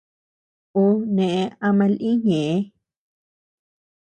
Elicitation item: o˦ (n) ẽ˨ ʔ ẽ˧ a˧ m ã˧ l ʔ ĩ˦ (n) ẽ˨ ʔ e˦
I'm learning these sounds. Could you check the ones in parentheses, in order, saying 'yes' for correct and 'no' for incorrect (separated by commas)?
yes, no